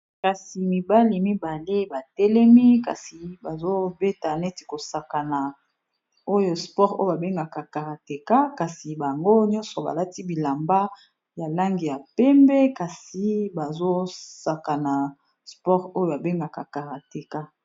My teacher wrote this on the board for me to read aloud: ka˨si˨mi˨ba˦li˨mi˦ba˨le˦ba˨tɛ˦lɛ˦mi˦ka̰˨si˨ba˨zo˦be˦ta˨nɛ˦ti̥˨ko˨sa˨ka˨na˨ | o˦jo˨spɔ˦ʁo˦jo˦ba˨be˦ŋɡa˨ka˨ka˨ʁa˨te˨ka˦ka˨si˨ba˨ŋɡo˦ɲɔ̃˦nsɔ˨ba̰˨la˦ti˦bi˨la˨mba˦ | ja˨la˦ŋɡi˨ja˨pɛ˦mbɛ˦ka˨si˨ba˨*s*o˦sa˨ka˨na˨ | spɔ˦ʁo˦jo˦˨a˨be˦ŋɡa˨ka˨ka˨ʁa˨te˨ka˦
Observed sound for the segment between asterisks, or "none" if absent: z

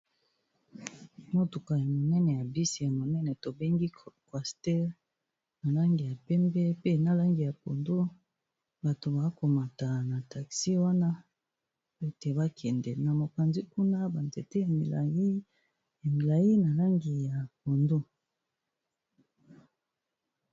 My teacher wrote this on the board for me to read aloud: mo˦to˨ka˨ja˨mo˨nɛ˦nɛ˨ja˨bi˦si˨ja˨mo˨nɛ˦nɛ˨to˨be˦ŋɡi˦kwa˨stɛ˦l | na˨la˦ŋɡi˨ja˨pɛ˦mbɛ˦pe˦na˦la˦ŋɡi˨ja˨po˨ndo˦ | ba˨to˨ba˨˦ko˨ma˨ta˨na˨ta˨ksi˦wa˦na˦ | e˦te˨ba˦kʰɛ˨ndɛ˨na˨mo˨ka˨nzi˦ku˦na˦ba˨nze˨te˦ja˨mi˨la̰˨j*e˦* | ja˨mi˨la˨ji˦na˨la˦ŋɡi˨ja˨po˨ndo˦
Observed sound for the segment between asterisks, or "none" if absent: i˦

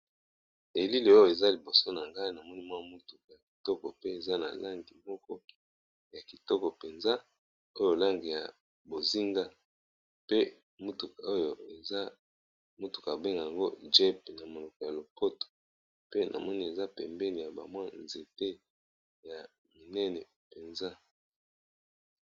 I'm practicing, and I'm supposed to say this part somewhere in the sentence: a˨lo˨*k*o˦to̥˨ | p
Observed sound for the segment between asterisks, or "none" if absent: p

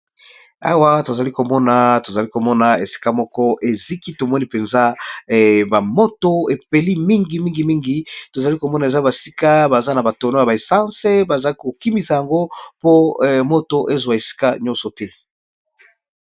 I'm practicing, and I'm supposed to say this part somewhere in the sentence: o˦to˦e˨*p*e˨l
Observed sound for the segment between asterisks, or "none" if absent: p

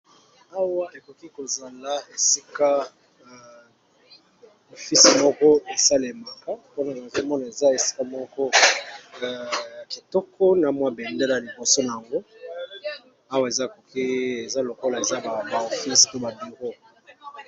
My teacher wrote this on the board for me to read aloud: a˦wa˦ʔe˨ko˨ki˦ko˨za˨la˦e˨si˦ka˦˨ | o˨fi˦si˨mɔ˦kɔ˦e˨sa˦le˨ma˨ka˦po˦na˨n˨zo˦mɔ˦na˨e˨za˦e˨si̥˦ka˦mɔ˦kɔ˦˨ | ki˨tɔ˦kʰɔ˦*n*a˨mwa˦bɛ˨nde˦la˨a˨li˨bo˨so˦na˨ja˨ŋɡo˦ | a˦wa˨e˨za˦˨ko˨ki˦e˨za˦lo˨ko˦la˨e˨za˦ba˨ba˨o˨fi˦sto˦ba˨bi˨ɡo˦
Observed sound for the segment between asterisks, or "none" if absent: n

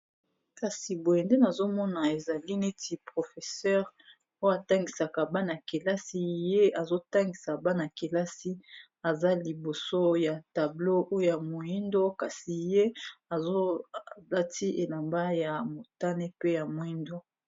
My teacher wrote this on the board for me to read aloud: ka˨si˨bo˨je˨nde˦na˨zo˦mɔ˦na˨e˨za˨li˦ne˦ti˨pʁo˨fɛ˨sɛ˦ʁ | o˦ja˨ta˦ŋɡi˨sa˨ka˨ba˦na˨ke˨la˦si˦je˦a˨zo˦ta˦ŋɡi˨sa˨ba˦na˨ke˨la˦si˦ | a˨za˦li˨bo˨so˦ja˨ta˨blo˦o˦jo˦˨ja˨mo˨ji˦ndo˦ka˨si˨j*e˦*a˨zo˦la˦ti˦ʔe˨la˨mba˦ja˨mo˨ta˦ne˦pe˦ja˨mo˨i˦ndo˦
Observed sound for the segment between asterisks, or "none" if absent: e˦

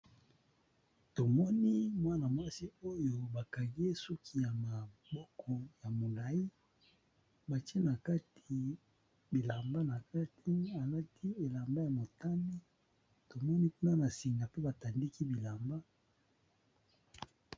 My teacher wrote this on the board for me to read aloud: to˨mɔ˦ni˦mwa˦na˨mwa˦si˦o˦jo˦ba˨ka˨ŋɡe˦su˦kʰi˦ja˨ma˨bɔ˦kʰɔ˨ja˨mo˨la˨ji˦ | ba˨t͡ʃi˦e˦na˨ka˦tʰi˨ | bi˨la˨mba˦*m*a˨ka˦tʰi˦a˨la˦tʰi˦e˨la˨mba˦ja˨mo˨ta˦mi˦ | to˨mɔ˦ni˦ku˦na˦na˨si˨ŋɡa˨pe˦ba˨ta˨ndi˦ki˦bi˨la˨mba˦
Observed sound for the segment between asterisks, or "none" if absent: n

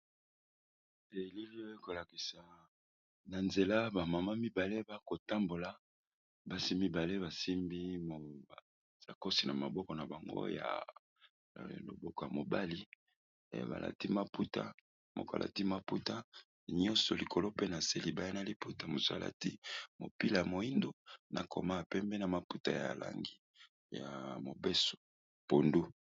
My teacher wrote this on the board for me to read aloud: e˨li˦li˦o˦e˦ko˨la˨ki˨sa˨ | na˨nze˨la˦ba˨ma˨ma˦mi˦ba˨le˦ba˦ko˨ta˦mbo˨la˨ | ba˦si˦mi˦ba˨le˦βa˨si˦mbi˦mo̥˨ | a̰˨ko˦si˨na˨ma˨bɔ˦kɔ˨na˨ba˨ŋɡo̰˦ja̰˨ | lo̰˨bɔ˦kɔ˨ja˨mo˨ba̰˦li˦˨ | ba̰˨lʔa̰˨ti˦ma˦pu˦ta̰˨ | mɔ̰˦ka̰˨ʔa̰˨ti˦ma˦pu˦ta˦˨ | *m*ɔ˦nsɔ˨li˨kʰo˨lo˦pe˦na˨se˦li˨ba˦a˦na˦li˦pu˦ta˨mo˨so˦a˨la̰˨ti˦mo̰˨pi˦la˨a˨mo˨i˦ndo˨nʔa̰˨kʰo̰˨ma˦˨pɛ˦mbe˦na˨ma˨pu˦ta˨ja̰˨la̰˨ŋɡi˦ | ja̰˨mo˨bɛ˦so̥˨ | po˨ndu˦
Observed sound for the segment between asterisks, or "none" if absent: ɲ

